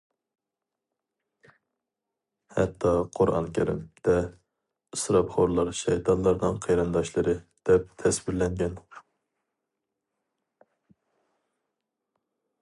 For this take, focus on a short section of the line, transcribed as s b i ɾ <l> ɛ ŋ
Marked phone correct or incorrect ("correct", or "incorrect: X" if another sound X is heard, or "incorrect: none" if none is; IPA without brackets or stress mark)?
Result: correct